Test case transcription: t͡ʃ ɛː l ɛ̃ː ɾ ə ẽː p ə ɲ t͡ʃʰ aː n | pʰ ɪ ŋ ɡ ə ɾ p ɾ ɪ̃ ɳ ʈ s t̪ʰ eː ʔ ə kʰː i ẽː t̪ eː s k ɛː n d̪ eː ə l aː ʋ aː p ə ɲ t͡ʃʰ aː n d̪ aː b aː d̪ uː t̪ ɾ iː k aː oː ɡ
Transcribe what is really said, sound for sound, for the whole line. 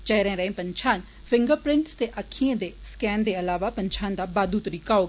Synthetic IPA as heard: t͡ʃ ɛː ɾ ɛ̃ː ɾ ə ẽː p ə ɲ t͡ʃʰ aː n | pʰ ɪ ŋ ɡ ə ɾ p ɾ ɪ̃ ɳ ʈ s t̪ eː ʔ ə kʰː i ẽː d̪ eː s k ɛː n d̪ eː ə l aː ʋ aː p ə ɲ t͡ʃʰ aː n d̪ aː b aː d̪ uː t̪ ɾ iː k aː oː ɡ